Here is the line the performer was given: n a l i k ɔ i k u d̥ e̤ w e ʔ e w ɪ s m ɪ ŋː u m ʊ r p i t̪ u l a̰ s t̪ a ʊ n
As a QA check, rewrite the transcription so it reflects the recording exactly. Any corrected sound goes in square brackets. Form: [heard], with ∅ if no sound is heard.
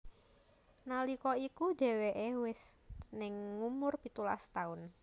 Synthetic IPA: n a l i k ɔ i k u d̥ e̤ w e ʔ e w ɪ s [n] ɪ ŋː u m ʊ r p i t̪ u l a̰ s t̪ a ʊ n